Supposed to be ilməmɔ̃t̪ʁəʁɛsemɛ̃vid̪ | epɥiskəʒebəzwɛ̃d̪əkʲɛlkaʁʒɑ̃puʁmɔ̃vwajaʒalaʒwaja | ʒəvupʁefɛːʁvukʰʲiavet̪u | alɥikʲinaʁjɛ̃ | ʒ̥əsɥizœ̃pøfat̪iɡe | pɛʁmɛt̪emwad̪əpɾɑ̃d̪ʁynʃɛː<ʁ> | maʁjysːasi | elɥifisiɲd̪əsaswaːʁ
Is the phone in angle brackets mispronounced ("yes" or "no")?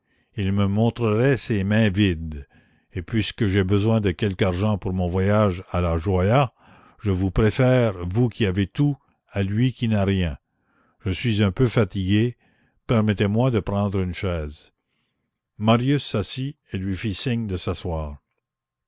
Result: yes